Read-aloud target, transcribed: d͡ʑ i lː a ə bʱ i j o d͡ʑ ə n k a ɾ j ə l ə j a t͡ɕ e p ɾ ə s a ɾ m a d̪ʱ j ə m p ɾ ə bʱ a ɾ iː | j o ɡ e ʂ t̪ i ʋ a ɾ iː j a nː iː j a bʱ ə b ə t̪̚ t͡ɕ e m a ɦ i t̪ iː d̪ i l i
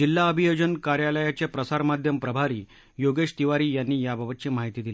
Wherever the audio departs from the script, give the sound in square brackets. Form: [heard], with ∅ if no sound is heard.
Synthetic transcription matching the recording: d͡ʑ i lː a ə bʱ i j o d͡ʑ ə n k a ɾ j [a] l ə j a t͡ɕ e p ɾ ə s a ɾ m a d̪ʱ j ə m p ɾ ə bʱ a ɾ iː | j o ɡ e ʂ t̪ i ʋ a ɾ iː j a nː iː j a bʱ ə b ə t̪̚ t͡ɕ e m a ɦ i t̪ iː d̪ i l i

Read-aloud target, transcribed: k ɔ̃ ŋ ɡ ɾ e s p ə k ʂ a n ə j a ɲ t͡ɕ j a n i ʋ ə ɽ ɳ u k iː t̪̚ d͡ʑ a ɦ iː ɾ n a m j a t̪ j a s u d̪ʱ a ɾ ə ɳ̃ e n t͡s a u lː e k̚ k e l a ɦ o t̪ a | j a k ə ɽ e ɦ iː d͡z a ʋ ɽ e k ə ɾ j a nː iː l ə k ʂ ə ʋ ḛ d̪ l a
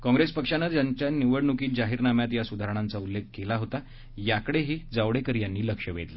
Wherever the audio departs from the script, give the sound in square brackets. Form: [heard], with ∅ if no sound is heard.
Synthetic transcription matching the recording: k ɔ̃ ŋ ɡ ɾ e s p ə k ʂ a n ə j a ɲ t͡ɕ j a n i ʋ ə ɽ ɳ u k iː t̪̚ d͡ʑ a ɦ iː ɾ n a m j a t̪ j a s u d̪ʱ a ɾ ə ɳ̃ [a] n t͡s a u lː e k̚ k e l a ɦ o t̪ a | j a k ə ɽ e ɦ iː d͡z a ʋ ɽ e k ə ɾ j a nː iː l ə k ʂ ə ʋ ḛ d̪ l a

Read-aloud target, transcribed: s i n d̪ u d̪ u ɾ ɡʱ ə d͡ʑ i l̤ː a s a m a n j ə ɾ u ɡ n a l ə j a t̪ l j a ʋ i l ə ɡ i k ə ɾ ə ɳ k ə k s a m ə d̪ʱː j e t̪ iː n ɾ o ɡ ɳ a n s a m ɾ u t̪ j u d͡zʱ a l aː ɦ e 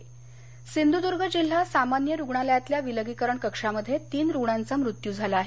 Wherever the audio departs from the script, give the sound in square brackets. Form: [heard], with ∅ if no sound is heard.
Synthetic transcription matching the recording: s i n d̪ u d̪ u ɾ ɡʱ ə d͡ʑ i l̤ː a s a m a n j ə ɾ u ɡ [ɳ] a l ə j a t̪ l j a ʋ i l ə ɡ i k ə ɾ ə ɳ k ə k [ʂ] a m ə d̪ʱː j e t̪ iː n ɾ [u] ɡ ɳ a n [t͡s] a m ɾ u t̪ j u d͡zʱ a l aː ɦ e

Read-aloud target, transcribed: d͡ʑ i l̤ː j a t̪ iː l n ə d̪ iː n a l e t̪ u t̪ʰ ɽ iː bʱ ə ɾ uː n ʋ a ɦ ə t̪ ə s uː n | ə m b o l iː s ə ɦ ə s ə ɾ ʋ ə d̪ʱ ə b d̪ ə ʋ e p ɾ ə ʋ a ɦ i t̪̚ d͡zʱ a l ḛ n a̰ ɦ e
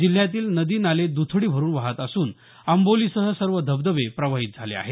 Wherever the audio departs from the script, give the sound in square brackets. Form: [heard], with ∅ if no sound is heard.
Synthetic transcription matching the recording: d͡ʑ i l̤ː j a t̪ iː l n ə d̪ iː n a l e [d̪] u t̪ʰ ɽ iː bʱ ə ɾ uː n ʋ a ɦ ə t̪ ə s uː n | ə m b o l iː s ə ɦ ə s ə ɾ ʋ ə d̪ʱ ə b d̪ ə ʋ e p ɾ ə ʋ a ɦ i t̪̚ d͡zʱ a l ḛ [∅] a̰ ɦ e

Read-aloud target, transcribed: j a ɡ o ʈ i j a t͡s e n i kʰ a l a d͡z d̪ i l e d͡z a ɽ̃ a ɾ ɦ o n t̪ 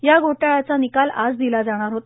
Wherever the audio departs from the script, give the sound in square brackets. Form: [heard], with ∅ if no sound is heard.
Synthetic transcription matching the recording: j a ɡ o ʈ [a] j a t͡s [a] n i [k] a l a d͡z d̪ i l [a] d͡z a ɽ̃ a ɾ ɦ o [∅] t̪

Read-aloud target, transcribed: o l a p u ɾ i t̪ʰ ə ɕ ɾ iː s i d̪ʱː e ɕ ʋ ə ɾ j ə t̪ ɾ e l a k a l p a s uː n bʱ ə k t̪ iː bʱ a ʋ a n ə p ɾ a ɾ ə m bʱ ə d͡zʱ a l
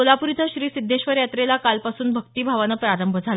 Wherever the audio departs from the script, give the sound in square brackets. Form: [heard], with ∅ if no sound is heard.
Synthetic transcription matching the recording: o l a p u ɾ i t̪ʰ ə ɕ ɾ iː s i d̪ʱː e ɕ ʋ ə ɾ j [a] t̪ ɾ e l a k a l p a s uː n bʱ ə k t̪ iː bʱ a ʋ a n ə p ɾ a ɾ ə m bʱ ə d͡zʱ a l

